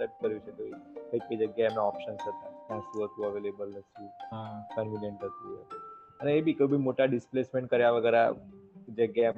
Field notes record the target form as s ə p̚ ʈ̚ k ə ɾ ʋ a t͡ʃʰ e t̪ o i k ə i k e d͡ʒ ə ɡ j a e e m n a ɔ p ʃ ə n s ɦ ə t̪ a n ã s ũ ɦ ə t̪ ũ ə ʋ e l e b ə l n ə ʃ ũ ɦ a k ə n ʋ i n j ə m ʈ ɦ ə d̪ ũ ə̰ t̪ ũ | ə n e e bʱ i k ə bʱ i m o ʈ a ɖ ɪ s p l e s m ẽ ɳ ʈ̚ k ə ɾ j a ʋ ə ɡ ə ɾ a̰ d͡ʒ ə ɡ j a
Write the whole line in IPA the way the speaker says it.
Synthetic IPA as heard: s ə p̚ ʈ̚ k ə ɾ ʋ i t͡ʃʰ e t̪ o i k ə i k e d͡ʒ ə ɡ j a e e m n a ɔ p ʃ ə n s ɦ ə t̪ a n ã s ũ ɦ ə t̪ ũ ə ʋ e l e b ə l n ə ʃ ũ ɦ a k ə n ʋ i n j ə ɳ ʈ ɦ ə t̪ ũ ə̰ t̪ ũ | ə n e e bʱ i k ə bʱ i m o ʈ a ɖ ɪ s p l e s m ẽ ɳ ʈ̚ k ə ɾ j a ʋ ə ɡ ə ɾ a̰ d͡ʒ ə ɡ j a